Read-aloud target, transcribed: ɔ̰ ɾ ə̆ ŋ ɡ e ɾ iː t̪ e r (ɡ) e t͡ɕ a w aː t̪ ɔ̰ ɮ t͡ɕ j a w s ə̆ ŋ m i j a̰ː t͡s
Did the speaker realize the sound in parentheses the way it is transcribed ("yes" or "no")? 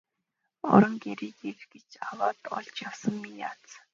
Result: yes